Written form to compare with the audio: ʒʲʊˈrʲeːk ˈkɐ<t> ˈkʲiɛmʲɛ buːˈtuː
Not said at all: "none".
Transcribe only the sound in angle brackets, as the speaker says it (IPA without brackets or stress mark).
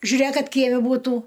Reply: t